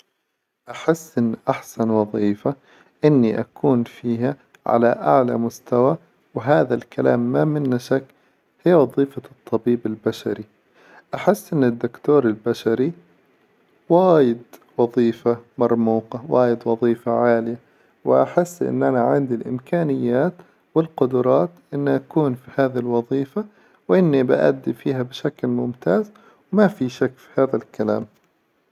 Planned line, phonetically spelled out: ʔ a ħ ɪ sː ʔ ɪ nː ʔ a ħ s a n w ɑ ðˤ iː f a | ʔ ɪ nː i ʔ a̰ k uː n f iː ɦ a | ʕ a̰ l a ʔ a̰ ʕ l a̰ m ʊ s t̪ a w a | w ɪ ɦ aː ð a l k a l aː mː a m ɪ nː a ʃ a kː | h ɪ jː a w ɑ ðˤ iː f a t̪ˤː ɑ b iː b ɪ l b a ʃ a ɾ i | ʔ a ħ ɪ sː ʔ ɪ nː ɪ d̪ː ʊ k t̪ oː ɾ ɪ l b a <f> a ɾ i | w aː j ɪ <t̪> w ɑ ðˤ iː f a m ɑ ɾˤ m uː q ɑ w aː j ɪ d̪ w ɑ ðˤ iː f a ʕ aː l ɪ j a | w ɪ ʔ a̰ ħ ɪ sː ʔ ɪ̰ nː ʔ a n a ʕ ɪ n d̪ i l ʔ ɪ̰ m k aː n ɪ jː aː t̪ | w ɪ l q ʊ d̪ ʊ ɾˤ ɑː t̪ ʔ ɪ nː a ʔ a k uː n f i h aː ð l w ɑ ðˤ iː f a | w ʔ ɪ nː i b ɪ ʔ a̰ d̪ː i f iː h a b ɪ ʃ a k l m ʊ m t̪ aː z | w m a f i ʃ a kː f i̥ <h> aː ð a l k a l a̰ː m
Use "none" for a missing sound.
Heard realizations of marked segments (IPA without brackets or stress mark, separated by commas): ʃ, d̪, h